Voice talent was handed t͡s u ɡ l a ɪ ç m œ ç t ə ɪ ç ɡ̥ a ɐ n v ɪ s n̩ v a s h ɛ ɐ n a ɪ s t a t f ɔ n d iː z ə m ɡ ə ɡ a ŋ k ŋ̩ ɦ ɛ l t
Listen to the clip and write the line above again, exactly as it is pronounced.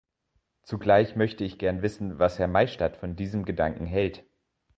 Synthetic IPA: t͡s u ɡ l a ɪ ç m œ ç t ə ɪ ç ɡ̥ ɛ ɐ n v ɪ s n̩ v a s h ɛ ɐ m a ɪ ʃ t a t f ɔ n d iː z ə m ɡ ə d a ŋ k ŋ̩ ɦ ɛ l t